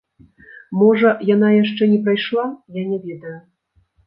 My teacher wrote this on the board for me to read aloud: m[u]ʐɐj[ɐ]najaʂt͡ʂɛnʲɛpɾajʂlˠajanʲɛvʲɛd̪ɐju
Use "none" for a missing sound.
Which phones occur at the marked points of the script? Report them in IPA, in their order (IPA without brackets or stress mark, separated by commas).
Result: ɔ, a